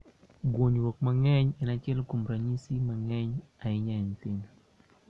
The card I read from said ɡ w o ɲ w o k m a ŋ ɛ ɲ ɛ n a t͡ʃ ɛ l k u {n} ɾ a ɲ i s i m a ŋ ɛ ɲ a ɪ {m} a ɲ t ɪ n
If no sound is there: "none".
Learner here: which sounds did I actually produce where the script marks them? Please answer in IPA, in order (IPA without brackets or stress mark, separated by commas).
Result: m, ɲ